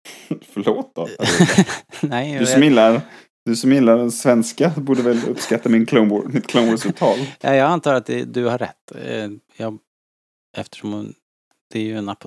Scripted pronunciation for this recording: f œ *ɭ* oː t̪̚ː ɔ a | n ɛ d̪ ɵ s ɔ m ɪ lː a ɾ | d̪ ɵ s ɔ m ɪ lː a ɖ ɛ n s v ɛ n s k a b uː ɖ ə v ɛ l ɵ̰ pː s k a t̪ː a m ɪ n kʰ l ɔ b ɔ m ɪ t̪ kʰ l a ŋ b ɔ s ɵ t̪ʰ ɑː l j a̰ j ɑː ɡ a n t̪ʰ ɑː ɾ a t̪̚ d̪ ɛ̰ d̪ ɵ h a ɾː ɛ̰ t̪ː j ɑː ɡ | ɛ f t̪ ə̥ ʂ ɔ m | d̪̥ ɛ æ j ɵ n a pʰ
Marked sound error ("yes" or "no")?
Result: no